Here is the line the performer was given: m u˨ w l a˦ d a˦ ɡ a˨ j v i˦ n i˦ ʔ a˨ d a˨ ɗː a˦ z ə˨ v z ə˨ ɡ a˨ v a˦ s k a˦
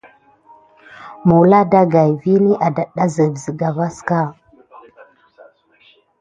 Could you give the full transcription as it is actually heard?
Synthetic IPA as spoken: m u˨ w l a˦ d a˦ ɡ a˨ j v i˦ n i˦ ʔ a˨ d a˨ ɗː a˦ z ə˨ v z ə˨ ɡ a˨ v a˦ s k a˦